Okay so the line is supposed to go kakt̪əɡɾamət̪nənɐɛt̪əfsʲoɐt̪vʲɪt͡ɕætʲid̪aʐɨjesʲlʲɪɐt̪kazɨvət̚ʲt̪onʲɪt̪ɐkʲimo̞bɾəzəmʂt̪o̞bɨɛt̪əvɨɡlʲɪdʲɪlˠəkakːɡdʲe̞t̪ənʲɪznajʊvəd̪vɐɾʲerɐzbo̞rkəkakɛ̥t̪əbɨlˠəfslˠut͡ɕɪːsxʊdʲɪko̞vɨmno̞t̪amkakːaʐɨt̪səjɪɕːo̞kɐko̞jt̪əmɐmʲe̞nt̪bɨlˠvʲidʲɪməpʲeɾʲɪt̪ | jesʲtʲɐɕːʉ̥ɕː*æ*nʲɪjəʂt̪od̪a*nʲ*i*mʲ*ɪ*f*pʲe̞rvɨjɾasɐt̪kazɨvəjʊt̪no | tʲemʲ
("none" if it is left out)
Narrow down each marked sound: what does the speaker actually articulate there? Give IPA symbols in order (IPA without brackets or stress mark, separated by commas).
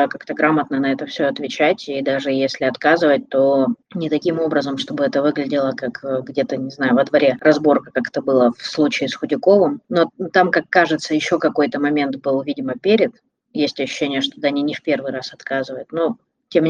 e, nʲ, nʲ, f